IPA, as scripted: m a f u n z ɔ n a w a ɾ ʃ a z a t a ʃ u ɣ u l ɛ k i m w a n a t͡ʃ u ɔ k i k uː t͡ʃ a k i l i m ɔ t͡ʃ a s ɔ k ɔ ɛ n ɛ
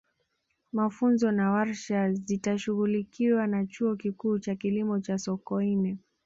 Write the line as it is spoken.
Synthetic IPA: m a f u n z ɔ n a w a ɾ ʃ a z i t a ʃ u ɣ u l i k i w a n a t͡ʃ u ɔ k i k uː t͡ʃ a k i l i m ɔ t͡ʃ a s ɔ k ɔ i n ɛ